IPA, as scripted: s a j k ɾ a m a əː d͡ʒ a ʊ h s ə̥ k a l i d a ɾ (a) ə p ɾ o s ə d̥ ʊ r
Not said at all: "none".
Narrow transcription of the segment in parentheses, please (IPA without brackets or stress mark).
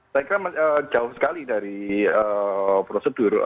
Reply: i